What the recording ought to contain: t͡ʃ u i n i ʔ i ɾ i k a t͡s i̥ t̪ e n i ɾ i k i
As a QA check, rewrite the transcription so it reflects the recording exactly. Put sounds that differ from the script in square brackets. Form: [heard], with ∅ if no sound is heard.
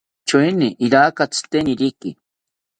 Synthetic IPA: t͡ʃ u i n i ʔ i ɾ [a] k a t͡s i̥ t̪ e n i ɾ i k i